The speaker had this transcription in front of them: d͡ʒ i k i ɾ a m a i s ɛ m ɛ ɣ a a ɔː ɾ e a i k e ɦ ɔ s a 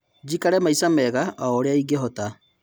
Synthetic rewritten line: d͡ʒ i k a ɾ ɛ m a i s a m ɛ ɣ a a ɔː ɾ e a i ɡ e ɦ ɔ t a